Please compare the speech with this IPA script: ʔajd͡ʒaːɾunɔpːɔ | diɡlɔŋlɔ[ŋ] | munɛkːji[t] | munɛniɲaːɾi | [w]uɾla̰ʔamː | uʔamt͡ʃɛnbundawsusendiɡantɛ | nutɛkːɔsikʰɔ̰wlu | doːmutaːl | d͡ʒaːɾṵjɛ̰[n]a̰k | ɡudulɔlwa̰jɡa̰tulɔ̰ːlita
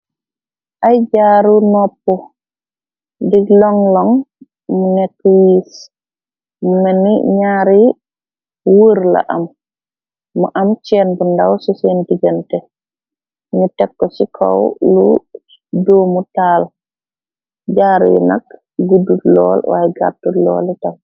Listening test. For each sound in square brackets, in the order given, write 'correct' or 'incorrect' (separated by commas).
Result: correct, incorrect, correct, correct